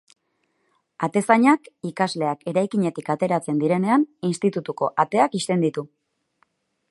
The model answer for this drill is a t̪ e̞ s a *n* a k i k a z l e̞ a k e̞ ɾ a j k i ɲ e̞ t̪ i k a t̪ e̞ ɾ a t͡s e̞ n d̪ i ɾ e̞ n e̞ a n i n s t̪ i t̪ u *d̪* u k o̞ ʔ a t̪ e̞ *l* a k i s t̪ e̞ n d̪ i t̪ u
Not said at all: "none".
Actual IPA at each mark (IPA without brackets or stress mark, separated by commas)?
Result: ɲ, t̪, none